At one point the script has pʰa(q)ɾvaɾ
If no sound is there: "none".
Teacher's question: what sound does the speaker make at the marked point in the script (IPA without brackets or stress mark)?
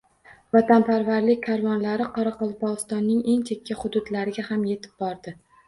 none